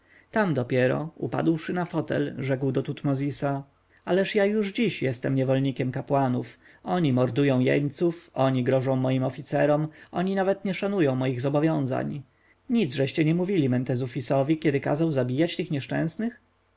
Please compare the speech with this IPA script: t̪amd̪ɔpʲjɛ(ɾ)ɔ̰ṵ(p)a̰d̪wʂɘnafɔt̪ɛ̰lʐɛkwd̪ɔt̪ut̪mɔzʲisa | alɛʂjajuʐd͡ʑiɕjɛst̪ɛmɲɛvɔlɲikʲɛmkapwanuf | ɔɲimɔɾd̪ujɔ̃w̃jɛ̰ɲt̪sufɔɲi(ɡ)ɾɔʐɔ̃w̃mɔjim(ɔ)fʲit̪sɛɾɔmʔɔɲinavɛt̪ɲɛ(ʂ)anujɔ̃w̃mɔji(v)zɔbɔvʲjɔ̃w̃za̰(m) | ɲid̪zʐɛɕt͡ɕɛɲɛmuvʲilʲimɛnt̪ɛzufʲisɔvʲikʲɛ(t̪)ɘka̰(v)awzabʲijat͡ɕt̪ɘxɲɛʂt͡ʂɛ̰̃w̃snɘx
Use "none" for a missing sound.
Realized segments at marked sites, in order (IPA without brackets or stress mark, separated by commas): ɾ, p, ɡ, ɔ, ʂ, ɣ, ɲ, d̪, z